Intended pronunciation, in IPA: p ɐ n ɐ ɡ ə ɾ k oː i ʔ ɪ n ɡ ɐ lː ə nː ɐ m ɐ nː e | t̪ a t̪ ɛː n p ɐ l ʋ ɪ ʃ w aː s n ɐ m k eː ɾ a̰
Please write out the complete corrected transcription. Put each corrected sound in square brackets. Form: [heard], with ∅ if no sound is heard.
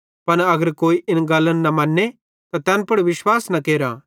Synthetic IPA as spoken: p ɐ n ɐ ɡ ə ɾ k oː i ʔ ɪ n ɡ ɐ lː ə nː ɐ m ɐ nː e | t̪ a t̪ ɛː n p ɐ [ɽ] ʋ ɪ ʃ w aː s n ɐ [∅] k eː ɾ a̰